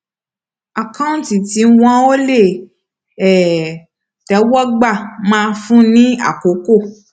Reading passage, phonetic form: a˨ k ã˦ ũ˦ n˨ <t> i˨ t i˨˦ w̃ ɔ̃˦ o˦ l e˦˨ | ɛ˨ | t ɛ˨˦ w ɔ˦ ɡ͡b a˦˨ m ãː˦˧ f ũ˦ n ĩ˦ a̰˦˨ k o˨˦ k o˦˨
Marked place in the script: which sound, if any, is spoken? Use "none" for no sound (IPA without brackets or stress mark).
t